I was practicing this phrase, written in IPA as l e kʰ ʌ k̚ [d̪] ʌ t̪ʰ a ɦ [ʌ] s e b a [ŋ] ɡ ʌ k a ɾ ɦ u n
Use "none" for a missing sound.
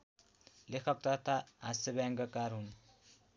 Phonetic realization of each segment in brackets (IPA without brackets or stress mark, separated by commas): t̪, a, ŋ